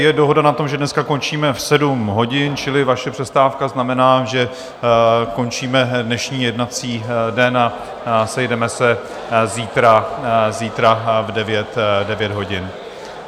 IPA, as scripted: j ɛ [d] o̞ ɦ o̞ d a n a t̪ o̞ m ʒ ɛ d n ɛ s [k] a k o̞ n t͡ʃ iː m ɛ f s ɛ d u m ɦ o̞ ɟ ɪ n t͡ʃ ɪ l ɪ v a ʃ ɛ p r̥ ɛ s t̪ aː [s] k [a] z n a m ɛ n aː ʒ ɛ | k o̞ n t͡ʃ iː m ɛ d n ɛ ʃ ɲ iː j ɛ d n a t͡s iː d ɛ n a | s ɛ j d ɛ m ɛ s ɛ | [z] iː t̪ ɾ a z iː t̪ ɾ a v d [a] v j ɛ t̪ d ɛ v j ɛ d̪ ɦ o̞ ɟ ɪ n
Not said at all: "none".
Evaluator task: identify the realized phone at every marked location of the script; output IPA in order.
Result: d, k, f, a, z, ɛ

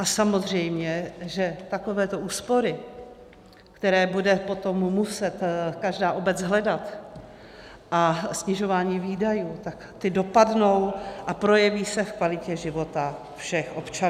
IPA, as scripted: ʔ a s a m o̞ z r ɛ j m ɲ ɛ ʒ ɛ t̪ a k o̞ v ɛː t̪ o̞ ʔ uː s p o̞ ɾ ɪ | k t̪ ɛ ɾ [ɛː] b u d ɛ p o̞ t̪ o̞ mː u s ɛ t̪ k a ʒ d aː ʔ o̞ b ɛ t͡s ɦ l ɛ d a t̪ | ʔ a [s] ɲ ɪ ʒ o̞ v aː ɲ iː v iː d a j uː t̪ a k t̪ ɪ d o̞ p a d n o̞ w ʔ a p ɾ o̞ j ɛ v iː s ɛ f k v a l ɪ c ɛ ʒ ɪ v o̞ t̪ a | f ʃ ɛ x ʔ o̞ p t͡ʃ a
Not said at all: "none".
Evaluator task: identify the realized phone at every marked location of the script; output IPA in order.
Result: ɛː, s

